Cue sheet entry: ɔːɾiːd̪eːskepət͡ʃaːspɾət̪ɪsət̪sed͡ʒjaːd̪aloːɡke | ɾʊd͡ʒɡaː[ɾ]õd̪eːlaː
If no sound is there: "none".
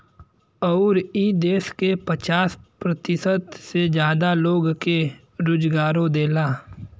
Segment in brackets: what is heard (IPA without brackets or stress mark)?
ɾ